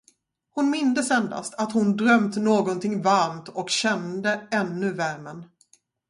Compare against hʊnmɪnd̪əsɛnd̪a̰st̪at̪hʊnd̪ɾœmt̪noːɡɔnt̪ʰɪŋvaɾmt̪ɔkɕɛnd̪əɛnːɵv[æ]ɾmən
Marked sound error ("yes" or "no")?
no